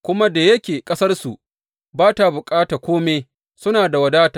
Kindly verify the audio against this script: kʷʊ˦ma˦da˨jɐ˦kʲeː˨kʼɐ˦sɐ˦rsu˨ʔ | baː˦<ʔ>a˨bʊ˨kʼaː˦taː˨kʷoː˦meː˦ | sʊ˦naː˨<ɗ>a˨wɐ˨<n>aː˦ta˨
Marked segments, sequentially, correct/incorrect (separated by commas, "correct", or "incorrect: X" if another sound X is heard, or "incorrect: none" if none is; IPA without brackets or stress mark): incorrect: t, incorrect: d, incorrect: d